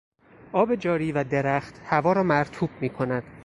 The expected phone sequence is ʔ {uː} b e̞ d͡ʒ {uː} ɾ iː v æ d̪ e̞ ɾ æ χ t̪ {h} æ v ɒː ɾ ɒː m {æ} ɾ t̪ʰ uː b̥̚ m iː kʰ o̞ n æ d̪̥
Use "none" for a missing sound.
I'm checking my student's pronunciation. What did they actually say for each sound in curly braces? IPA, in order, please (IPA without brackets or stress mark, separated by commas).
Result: ɒː, ɒː, h, æ